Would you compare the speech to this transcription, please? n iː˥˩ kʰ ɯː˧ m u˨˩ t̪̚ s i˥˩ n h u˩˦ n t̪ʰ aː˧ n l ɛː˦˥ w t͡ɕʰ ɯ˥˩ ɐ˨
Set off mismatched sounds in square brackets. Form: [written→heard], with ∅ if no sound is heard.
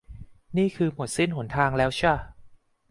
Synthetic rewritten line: n iː˥˩ kʰ ɯː˧ m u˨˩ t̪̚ s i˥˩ n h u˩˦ n t̪ʰ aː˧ [n→ŋ] l ɛː˦˥ w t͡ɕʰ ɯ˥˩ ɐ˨